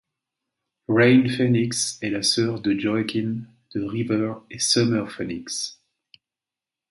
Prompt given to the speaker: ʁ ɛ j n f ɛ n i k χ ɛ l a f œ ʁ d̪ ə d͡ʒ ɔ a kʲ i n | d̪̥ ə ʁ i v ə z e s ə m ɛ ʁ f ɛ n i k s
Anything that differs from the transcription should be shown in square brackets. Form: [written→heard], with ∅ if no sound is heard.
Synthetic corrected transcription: ʁ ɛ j n f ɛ n i k [χ→s] ɛ l a [f→s] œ ʁ d̪ ə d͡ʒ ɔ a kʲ i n | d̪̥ ə ʁ i v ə [z→ʁ] e s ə m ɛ ʁ f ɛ n i k s